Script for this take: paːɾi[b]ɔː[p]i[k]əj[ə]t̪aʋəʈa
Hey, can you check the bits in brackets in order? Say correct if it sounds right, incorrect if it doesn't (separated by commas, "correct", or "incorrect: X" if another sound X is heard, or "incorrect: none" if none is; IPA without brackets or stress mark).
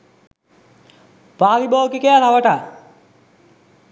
correct, incorrect: k, correct, incorrect: a